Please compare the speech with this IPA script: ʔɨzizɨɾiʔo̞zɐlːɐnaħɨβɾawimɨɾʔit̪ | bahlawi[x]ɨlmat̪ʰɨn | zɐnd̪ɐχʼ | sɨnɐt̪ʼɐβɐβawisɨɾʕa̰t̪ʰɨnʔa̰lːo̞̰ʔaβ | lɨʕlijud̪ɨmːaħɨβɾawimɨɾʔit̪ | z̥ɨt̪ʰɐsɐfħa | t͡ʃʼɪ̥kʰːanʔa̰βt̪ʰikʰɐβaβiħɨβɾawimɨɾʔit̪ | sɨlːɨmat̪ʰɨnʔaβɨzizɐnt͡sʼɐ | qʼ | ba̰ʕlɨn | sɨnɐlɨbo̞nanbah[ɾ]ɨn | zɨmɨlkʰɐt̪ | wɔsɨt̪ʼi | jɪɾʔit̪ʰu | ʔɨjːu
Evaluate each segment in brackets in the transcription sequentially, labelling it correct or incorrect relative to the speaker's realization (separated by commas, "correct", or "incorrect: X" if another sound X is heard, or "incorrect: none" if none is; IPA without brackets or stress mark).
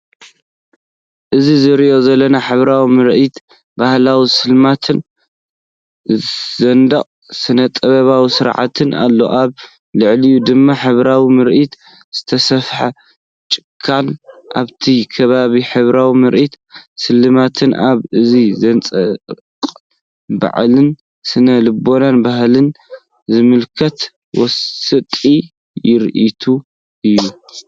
incorrect: s, incorrect: l